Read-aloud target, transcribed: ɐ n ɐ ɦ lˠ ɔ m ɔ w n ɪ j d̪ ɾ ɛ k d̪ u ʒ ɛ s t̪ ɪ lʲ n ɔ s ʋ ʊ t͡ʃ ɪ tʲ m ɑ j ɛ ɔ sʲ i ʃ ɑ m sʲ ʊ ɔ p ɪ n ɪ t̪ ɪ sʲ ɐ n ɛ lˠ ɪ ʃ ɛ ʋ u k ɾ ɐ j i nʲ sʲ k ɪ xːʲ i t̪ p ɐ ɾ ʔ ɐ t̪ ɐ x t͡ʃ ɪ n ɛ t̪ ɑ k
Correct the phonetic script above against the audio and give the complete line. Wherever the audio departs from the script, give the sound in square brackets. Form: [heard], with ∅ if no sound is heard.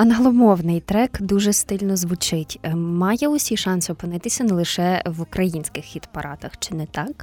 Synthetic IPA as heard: ɐ n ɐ ɦ lˠ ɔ m ɔ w n ɪ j [t̪] ɾ ɛ k d̪ u ʒ ɛ s t̪ ɪ lʲ n ɔ [z] ʋ ʊ t͡ʃ ɪ tʲ m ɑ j ɛ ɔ sʲ i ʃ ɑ [n] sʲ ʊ ɔ p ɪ n ɪ t̪ ɪ sʲ ɐ n ɛ lˠ ɪ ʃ ɛ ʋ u k ɾ ɐ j i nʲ sʲ k ɪ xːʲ i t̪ p ɐ ɾ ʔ [ɑ] t̪ ɐ x t͡ʃ ɪ n ɛ t̪ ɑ k